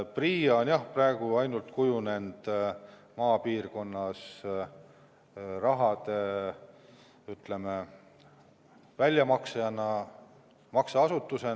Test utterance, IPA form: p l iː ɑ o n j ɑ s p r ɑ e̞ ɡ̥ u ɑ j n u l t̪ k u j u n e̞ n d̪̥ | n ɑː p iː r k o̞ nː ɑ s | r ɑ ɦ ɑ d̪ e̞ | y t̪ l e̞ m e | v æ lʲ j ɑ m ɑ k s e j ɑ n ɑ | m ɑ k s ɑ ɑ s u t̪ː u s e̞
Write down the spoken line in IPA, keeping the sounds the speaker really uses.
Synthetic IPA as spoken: p r iː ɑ o n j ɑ h p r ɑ e̞ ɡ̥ u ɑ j n u l t̪ k u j u n e̞ n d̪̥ | m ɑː p iː r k o̞ nː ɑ s | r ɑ ɦ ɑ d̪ e̞ | y t̪ l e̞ m e | v æ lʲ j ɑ m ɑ k s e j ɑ n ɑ | m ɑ k s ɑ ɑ s u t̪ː u s e̞